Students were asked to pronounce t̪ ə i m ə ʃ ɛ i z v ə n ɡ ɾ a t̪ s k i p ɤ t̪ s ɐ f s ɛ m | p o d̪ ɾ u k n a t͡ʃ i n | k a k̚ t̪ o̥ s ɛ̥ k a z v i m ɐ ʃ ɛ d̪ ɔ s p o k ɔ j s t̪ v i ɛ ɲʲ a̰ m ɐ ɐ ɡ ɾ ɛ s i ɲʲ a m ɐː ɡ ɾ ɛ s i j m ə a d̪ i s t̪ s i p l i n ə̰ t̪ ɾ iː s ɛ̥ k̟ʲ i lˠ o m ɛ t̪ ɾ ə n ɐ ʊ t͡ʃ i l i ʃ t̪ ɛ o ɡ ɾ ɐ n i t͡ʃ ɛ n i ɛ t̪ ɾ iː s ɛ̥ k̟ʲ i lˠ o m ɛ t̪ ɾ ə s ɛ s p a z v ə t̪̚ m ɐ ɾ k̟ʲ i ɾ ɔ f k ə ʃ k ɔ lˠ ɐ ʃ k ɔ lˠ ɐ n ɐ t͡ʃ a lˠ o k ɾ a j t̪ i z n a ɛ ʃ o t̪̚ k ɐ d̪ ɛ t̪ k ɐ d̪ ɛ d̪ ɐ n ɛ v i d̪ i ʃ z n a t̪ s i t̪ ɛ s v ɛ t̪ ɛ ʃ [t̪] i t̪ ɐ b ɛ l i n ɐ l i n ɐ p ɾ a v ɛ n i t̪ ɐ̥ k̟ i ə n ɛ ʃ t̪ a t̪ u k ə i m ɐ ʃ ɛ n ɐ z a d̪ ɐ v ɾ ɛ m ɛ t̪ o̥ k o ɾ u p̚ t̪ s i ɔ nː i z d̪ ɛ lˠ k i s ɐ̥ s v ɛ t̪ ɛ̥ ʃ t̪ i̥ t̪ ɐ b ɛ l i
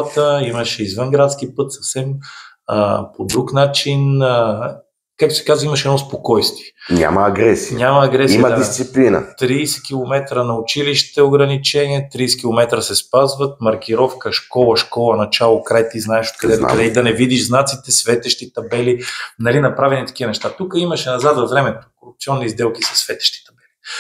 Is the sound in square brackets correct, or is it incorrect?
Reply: correct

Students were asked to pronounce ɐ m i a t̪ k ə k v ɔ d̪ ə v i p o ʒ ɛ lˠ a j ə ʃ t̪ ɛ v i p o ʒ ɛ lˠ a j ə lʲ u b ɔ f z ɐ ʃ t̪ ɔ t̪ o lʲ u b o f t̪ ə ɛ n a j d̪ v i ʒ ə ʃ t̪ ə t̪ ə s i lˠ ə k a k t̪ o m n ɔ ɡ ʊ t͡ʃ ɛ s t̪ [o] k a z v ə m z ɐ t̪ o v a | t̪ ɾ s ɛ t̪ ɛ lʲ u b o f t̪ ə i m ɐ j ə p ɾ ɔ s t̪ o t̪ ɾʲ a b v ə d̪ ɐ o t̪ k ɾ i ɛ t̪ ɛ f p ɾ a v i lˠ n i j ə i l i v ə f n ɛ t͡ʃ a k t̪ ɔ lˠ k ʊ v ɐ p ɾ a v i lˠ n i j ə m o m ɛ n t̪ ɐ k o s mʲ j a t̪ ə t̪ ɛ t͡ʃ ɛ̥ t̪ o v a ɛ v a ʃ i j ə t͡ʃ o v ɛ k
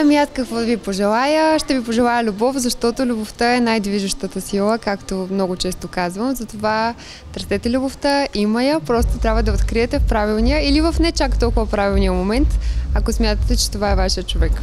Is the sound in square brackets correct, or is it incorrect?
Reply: correct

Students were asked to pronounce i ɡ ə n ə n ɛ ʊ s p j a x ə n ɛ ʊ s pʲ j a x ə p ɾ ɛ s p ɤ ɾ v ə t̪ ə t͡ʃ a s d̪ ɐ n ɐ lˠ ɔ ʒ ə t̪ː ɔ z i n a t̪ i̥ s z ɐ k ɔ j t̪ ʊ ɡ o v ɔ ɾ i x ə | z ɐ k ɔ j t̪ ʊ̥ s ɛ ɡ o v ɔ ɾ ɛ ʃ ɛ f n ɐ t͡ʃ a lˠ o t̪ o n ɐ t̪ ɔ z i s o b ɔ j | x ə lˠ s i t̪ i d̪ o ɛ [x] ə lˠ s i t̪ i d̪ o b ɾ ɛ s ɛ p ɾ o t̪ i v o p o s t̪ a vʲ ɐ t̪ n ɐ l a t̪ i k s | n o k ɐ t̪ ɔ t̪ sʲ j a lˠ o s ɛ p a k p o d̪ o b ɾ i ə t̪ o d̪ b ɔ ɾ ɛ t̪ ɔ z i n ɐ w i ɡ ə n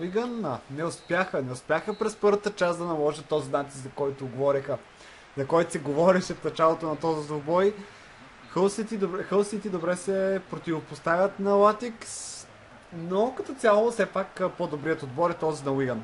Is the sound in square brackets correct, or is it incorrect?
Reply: correct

